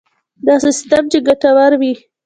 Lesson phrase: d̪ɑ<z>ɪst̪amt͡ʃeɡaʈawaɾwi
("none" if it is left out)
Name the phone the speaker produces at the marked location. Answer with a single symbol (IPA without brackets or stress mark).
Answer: s